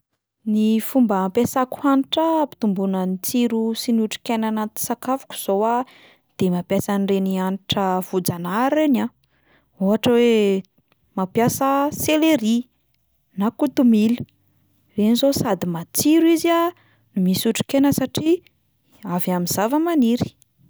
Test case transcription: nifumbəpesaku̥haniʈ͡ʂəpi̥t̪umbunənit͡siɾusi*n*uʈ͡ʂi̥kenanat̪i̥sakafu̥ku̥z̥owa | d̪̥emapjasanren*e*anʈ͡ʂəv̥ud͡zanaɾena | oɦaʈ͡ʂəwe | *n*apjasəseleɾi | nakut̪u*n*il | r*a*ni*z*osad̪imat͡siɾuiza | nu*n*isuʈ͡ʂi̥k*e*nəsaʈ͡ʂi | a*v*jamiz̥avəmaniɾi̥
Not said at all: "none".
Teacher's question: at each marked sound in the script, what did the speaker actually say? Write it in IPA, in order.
n, i, m, m, e, z, m, e, v

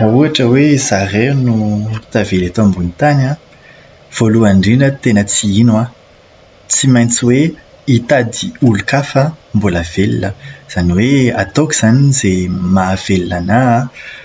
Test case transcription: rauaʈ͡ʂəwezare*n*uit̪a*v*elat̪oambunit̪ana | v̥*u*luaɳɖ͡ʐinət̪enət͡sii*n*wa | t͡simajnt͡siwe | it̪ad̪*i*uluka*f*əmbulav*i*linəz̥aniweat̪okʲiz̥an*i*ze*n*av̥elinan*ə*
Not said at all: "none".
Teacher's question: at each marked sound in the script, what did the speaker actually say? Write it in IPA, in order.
n, v, o, n, i, f, e, i, m, a

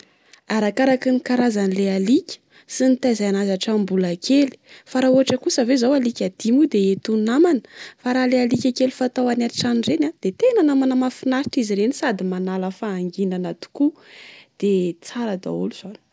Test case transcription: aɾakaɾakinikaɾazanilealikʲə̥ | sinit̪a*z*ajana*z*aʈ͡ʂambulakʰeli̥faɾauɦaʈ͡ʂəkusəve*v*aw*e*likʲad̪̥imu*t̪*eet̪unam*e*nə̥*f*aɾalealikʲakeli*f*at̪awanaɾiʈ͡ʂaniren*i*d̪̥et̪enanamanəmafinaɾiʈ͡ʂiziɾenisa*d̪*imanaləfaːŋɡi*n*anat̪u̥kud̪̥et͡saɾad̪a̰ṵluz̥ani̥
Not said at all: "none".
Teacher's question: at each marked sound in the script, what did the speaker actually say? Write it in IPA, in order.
z, z, z, a, d̪, a, f, f, a, d̪, n

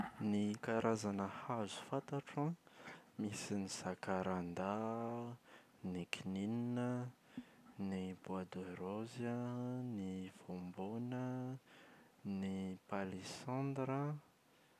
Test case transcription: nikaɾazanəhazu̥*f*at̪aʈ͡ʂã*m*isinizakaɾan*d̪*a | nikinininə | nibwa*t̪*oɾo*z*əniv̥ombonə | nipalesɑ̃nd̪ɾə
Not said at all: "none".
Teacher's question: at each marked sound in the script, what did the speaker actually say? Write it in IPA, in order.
f, m, d̪, d̪, z

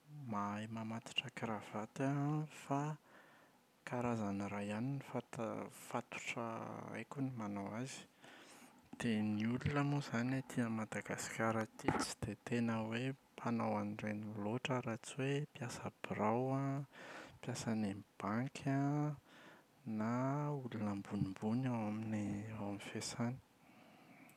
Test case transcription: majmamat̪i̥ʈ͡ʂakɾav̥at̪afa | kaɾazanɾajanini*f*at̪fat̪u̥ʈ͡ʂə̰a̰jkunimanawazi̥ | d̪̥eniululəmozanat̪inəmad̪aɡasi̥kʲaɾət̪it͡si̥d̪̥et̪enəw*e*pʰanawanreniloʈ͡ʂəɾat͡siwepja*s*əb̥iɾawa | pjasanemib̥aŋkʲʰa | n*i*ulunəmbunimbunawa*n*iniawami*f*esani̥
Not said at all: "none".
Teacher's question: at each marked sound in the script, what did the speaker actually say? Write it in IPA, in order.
f, e, s, a, m, f

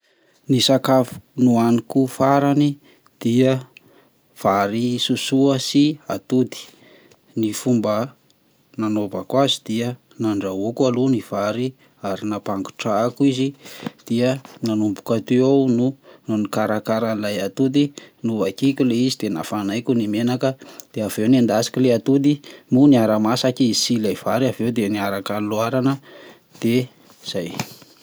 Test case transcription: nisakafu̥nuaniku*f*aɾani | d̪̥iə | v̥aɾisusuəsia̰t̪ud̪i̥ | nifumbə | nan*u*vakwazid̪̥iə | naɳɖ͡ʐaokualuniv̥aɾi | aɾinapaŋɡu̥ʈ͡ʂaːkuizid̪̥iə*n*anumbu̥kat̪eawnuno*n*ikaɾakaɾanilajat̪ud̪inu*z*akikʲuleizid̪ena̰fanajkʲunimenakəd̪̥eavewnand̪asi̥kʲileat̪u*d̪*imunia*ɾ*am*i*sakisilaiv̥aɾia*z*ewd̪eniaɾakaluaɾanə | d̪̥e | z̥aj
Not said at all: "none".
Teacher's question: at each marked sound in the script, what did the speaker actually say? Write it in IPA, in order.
f, o, n, n, v, d̪, ɾ, a, v

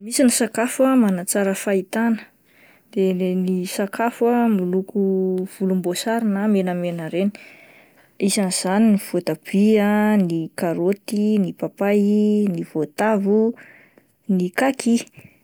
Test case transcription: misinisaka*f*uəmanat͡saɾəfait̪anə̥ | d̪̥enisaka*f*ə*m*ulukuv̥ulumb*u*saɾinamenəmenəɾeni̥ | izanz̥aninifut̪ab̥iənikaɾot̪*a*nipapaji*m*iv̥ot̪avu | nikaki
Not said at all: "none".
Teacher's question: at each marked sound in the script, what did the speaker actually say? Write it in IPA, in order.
f, f, m, o, i, n

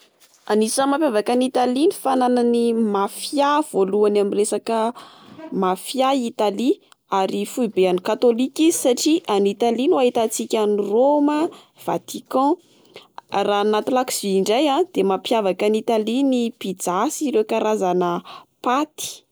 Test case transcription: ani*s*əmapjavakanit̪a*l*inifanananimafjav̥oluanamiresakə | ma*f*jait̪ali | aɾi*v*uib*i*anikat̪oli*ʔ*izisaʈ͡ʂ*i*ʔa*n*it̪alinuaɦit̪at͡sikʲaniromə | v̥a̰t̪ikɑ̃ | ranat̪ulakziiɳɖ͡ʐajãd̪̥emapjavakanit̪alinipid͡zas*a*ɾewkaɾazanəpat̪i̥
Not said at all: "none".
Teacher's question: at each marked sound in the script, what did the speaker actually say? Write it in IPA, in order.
s, l, f, f, e, k, i, n, i

